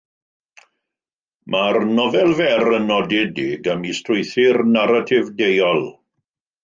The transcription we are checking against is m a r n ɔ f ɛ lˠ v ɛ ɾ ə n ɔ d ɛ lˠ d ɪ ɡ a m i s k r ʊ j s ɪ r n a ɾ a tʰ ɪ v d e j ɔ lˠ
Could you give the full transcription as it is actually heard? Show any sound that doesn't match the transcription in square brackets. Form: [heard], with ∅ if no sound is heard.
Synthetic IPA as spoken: m a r n ɔ [v] ɛ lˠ v ɛ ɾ ə n ɔ d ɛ [∅] d ɪ ɡ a m i s [t] r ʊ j [θ] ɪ r n a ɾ a tʰ ɪ v d e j ɔ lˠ